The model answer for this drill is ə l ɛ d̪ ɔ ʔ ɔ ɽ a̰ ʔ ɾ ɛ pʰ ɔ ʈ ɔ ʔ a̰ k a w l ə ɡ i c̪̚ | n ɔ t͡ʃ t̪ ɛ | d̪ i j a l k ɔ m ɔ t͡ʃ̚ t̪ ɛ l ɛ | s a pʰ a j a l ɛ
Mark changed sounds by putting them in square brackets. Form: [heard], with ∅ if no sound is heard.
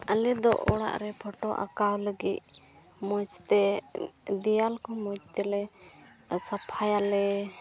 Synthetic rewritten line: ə l ɛ d̪ ɔ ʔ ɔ ɽ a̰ ʔ ɾ ɛ pʰ ɔ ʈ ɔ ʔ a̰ k a w l ə ɡ i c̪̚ | [m] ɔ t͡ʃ t̪ ɛ | d̪ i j a l k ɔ m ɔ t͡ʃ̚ t̪ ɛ l ɛ | s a pʰ a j a l ɛ